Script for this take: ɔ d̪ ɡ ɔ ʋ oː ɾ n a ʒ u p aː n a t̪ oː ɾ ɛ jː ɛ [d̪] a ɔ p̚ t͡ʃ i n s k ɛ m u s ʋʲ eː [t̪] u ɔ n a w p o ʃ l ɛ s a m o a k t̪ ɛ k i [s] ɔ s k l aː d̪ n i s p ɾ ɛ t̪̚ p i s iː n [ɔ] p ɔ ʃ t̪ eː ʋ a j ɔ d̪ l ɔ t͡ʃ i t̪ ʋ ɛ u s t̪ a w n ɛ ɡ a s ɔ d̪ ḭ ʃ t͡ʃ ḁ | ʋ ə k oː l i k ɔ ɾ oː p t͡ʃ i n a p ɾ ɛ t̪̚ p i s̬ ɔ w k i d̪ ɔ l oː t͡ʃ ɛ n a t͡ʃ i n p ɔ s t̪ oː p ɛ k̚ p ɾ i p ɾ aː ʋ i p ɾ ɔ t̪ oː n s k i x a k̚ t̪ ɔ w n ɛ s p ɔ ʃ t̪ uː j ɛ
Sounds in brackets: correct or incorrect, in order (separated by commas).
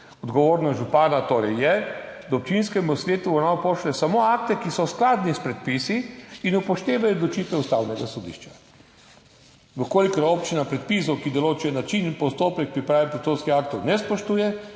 correct, correct, correct, incorrect